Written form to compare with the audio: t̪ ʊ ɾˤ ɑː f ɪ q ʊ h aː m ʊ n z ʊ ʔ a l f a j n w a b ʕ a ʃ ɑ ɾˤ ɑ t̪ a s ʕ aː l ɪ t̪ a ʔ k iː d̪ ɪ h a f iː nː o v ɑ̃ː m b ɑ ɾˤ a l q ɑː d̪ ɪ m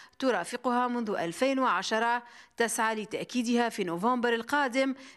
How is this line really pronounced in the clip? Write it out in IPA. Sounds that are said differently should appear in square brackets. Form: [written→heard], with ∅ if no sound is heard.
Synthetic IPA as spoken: t̪ ʊ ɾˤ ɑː f ɪ q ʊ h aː m ʊ n [z→ð] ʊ ʔ a l f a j n w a [b→∅] ʕ a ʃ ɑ ɾˤ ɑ t̪ a s ʕ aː l ɪ t̪ a ʔ k iː d̪ ɪ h a f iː [nː→n] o v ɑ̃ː m b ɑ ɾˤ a l q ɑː d̪ ɪ m